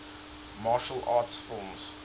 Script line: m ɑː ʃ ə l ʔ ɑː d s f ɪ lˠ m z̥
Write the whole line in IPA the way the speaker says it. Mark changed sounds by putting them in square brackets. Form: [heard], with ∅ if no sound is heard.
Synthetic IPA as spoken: m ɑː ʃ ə l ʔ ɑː [t] s f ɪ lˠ m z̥